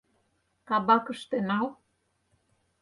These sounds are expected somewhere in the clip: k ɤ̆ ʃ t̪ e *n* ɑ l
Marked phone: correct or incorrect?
correct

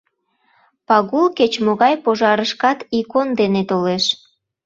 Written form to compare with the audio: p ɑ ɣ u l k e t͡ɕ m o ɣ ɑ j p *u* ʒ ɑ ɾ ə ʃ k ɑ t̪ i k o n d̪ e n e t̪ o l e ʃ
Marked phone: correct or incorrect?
incorrect: o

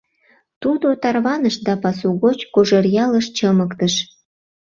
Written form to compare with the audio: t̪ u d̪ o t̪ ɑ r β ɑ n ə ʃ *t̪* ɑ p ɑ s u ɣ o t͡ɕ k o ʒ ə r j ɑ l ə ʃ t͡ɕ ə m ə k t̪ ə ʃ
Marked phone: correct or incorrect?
incorrect: d̪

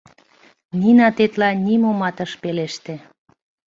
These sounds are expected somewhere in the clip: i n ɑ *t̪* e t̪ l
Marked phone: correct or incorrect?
correct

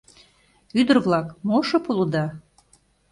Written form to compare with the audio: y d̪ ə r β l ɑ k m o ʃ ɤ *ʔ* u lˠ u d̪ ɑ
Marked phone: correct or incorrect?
incorrect: p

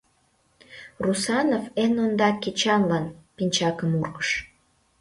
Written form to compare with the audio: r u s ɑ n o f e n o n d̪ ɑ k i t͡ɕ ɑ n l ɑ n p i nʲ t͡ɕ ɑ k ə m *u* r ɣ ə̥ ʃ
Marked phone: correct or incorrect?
correct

